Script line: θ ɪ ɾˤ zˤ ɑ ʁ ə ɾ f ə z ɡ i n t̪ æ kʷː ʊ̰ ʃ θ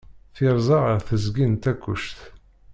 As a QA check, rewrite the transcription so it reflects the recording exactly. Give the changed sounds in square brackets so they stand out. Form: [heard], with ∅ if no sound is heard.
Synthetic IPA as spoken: θ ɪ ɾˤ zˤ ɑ ʁ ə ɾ [θ] ə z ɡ i n t̪ æ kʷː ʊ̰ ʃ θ